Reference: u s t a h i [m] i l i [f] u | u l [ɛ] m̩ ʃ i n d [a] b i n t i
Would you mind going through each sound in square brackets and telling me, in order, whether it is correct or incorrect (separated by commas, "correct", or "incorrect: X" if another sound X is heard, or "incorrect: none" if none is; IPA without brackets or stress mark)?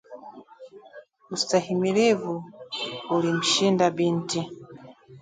correct, incorrect: v, incorrect: i, correct